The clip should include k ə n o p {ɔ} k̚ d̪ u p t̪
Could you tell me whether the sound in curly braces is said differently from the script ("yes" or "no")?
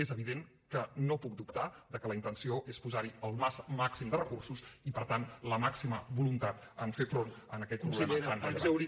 yes